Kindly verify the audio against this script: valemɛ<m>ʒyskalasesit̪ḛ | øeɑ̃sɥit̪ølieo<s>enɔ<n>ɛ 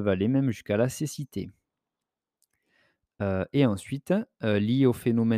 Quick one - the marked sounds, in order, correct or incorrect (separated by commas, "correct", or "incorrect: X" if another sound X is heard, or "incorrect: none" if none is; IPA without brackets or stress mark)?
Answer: correct, incorrect: f, incorrect: m